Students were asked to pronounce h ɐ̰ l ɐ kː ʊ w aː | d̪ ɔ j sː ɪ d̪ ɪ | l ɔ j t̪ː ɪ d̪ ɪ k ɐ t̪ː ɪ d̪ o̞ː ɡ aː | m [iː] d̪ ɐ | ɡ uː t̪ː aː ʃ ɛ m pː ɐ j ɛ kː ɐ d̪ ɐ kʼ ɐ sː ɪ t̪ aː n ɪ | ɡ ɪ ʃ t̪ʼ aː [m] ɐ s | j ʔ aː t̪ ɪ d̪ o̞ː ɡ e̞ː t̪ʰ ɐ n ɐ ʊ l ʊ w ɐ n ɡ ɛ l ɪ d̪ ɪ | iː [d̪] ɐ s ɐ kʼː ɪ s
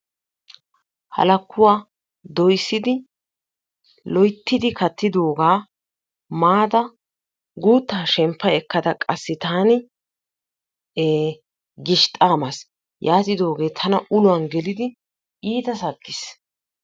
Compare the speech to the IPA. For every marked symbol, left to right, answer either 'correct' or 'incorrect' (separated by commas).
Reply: incorrect, correct, incorrect